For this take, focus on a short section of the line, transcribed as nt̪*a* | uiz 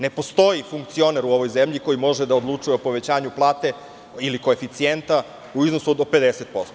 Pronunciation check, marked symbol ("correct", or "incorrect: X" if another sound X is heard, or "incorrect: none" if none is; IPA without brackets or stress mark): correct